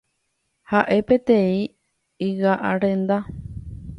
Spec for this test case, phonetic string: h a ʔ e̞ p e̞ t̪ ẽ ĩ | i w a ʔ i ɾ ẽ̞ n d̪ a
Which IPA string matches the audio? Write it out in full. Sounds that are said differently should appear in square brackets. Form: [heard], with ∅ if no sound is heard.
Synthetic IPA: h a ʔ e̞ p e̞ t̪ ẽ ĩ | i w a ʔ [a] ɾ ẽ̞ n d̪ a

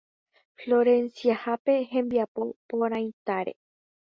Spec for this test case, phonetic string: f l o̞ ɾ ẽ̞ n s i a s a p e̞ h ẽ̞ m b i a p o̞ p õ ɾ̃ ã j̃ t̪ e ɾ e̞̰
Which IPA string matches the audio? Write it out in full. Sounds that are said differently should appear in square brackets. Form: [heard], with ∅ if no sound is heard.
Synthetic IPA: f l o̞ ɾ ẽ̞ n s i a [h] a p e̞ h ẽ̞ m b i a p o̞ p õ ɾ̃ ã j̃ t̪ [a] ɾ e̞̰

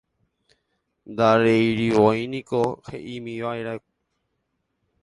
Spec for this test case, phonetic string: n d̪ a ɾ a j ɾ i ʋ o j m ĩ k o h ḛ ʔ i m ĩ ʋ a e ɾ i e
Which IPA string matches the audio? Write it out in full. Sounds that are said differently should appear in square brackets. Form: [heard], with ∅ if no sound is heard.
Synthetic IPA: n d̪ a ɾ [e] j ɾ i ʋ o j [n] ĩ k o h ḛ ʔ i m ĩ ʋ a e ɾ [a] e

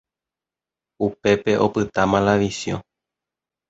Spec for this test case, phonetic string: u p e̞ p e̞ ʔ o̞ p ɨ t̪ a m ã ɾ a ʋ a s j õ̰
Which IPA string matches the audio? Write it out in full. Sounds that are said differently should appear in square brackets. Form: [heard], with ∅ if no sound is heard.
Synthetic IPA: u p e̞ p e̞ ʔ o̞ p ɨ t̪ a m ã [l] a ʋ [i] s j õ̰

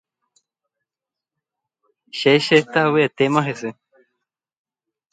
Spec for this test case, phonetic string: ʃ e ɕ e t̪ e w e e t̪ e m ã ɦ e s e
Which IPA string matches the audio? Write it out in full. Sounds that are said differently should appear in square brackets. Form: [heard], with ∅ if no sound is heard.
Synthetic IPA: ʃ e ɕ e t̪ [a] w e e t̪ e m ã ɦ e s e

